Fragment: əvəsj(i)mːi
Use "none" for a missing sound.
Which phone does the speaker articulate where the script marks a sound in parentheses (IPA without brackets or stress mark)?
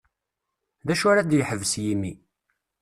i